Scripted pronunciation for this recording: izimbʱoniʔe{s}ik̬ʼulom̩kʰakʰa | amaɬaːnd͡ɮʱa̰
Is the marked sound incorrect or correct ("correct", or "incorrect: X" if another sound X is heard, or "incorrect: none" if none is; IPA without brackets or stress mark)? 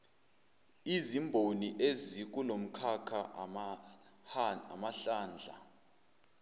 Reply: incorrect: z